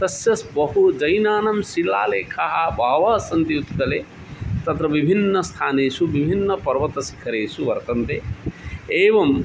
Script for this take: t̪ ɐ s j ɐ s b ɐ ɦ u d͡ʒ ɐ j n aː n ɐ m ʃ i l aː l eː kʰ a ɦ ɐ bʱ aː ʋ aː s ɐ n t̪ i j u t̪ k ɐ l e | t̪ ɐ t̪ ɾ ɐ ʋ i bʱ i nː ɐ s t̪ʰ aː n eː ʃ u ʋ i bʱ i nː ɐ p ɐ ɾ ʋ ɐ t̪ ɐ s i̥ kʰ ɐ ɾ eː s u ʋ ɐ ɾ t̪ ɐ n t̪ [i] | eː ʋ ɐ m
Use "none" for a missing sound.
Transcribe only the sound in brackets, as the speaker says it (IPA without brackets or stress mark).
e